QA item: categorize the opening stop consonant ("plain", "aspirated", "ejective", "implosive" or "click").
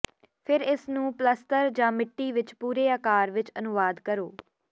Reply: aspirated